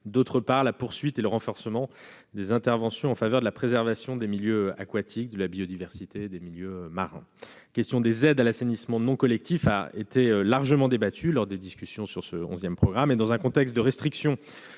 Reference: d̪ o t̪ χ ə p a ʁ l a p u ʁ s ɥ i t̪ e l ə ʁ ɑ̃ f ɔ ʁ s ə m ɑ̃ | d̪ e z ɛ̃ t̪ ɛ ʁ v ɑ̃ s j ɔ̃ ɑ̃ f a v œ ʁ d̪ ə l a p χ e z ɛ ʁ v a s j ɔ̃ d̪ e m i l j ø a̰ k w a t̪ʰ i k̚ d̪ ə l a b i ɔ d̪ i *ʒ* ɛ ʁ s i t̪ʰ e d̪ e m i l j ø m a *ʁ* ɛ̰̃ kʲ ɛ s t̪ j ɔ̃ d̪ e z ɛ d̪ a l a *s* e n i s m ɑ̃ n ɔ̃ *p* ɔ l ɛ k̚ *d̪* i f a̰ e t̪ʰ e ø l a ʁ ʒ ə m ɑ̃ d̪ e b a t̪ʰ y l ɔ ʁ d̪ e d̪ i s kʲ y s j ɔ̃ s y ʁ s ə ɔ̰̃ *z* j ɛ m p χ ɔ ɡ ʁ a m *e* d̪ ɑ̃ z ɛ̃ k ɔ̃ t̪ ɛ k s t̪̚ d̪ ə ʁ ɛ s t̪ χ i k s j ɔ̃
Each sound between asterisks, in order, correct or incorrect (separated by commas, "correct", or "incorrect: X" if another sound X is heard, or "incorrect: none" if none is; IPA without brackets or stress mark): incorrect: v, correct, correct, incorrect: k, incorrect: t̪, correct, correct